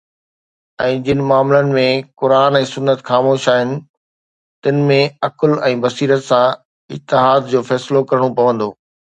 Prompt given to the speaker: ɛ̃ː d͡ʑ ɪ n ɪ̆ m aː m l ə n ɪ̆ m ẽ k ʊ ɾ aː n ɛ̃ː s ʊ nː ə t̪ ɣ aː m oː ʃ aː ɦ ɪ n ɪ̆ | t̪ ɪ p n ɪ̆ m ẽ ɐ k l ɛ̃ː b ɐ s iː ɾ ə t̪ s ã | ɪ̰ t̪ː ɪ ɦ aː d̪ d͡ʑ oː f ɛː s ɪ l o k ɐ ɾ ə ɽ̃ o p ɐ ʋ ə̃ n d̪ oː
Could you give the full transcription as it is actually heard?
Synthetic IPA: ɛ̃ː d͡ʑ ɪ n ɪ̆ m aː m l ə n ɪ̆ m ẽ k ʊ ɾ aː n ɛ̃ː s ʊ nː ə t̪ x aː m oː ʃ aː ɦ ɪ n ɪ̆ | t̪ ɪ n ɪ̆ m ẽ ɐ k l ɛ̃ː b ɐ s iː ɾ ə t̪ s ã | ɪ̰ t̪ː ɪ ɦ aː d̪ d͡ʑ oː f ɛː s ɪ l o k ɐ ɾ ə ɽ̃ o p ɐ ʋ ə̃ n d̪ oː

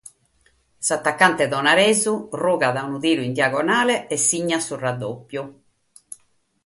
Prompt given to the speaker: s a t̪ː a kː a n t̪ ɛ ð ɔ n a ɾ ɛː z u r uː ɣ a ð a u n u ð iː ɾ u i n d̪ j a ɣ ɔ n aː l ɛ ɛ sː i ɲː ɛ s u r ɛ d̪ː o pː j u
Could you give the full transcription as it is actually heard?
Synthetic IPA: s a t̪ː a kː a n t̪ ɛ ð ɔ n a ɾ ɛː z u r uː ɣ a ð a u n u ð iː ɾ u i n d̪ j a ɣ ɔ n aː l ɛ ɛ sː i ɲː a s u r a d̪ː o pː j u

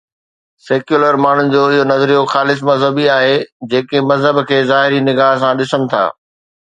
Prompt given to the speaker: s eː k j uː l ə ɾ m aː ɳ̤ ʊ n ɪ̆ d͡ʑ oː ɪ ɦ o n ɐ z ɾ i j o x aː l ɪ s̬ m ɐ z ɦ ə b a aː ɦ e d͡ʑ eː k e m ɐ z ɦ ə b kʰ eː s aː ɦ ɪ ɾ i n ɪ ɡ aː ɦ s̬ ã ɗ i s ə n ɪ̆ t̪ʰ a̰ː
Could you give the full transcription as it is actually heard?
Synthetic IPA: s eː k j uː l ə ɾ m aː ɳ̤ ʊ n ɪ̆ d͡ʑ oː ɪ ɦ o n ɐ z ɾ i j o x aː l ɪ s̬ m ɐ z ɦ ə b i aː ɦ e d͡ʑ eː k e m ɐ z ɦ ə b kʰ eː z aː ɦ ɪ ɾ i n ɪ ɡ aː ɦ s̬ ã ɗ ɪ s ə n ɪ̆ t̪ʰ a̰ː

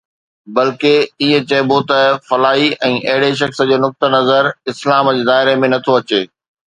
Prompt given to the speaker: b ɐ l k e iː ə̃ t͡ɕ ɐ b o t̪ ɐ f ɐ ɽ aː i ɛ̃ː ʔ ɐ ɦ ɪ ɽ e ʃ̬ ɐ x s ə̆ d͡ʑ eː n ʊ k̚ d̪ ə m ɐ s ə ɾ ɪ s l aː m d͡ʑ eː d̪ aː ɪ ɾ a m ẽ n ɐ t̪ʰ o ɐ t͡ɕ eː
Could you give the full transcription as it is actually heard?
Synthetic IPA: b ɐ l k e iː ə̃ t͡ɕ ɐ b o t̪ ɐ f ɐ l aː i ɛ̃ː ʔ ɐ ɦ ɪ ɽ e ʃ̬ ɐ x s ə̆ d͡ʑ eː n ʊ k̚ t̪ ə n ɐ z ə ɾ ɪ s l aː m d͡ʑ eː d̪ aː ɪ ɾ e m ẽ n ɐ t̪ʰ o ɐ t͡ɕ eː

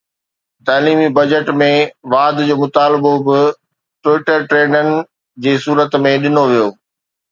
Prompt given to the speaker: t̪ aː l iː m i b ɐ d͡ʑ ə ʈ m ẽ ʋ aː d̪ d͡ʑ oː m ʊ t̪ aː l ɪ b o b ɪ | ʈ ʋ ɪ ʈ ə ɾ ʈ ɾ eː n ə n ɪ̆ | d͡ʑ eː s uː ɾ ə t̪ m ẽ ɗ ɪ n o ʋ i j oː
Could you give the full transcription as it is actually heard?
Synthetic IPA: t̪ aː l iː m i b ɐ d͡ʑ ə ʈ m ẽ ʋ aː d̪ d͡ʑ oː m ʊ t̪ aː l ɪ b o b ɪ | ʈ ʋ ɪ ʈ ə ɾ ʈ ɾ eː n ə n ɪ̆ | d͡ʑ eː s uː ɾ ə t̪ m ẽ ɗ ɪ n o ʋ i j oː

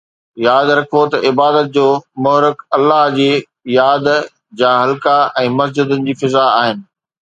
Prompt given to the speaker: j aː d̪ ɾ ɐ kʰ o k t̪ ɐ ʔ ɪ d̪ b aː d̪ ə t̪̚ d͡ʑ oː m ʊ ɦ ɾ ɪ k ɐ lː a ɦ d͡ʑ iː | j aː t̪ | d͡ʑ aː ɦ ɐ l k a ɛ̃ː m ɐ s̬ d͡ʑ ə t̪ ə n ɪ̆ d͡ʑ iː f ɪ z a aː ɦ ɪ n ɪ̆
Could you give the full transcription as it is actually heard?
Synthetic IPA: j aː d̪ ɾ ɐ kʰ o t̪ ɐ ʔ ɪ b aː d̪ ə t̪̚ d͡ʑ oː m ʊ ɦ ɾ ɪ k ɐ lː a ɦ d͡ʑ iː | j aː d̪ | d͡ʑ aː ɦ ɐ l k a ɛ̃ː m ɐ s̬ d͡ʑ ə d̪ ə n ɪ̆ d͡ʑ iː f ɪ z a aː ɦ ɪ n ɪ̆

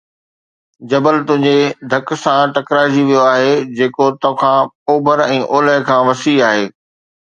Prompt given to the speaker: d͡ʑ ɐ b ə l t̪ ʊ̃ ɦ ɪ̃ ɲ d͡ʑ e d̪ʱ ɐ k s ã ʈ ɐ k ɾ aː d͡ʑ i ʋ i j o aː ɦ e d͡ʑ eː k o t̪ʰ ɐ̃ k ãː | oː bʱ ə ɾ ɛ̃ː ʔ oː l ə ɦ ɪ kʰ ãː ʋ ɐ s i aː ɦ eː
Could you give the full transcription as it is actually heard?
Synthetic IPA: d͡ʑ ɐ b ə l t̪ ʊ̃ ɦ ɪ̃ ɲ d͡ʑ e d̪ʱ ɐ k s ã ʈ ɐ k ɾ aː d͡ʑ i ʋ i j o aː ɦ e d͡ʑ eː k o t̪ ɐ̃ kʰ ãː | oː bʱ ə ɾ ɛ̃ː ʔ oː l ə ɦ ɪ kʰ ãː ʋ ɐ s i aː ɦ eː

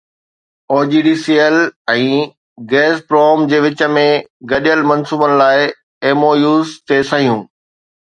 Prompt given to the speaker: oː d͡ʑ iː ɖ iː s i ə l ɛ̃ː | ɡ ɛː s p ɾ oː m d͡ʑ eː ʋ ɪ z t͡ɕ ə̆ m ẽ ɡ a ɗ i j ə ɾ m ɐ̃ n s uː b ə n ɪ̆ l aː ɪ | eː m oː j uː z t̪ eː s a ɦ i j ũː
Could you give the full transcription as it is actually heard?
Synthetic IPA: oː d͡ʑ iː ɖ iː s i ə l ɛ̃ː | ɡ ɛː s p ɾ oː m d͡ʑ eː ʋ ɪ t͡ɕ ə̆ m ẽ ɡ ɐ ɗ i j ə l m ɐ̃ n s uː b ə n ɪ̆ l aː ɪ | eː m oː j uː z t̪ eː s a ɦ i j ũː

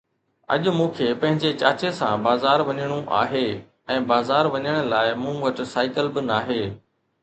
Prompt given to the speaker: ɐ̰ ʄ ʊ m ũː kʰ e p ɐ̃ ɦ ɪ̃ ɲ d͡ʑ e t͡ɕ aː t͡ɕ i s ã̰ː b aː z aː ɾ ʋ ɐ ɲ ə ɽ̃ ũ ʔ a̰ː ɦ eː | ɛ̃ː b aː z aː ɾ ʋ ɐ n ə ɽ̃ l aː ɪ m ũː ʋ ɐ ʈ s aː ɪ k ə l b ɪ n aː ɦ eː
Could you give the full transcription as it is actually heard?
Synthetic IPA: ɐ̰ ʄ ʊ m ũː kʰ e p ɐ̃ ɦ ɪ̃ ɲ d͡ʑ e t͡ɕ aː t͡ɕ e s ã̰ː b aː z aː ɾ ʋ ɐ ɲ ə ɽ̃ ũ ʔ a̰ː ɦ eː | ɛ̃ː b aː z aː ɾ ʋ ɐ ɲ ə ɽ̃ l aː ɪ m ũː ʋ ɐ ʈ s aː ɪ k ə l b ɪ n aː ɦ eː

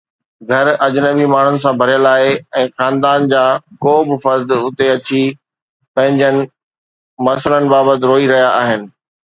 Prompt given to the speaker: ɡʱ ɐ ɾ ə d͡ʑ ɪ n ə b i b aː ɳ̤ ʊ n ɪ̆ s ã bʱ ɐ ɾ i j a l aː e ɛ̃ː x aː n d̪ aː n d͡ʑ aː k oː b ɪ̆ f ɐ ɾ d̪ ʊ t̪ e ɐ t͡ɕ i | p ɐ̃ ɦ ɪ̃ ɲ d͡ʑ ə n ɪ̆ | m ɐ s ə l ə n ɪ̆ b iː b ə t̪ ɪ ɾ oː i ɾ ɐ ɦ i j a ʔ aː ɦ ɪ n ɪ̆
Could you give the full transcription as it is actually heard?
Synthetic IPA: ɡʱ ɐ ɾ ɐ d͡ʑ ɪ n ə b i m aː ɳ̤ ʊ n ɪ̆ s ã bʱ ɐ ɾ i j ə l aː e ɛ̃ː x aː n d̪ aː n d͡ʑ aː k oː b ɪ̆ f ɐ ɾ d̪ ʊ t̪ e ɐ t͡ɕ i | p ɐ̃ ɦ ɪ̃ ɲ d͡ʑ ə n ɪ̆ | m ɐ s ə l ə n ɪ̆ b aː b ə t̪ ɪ ɾ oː i ɾ ɐ ɦ i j a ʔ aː ɦ ɪ n ɪ̆

